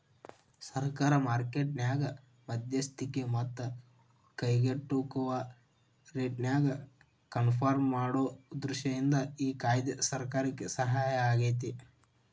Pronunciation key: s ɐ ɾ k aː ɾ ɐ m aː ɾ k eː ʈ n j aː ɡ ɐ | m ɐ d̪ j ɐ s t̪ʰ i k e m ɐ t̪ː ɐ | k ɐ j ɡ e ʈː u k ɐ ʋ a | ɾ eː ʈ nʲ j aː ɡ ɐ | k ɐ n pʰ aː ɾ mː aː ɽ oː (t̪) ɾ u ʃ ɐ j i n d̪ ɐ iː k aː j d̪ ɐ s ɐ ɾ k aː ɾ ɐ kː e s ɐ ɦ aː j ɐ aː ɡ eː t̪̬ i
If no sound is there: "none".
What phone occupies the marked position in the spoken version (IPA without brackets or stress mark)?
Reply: d̪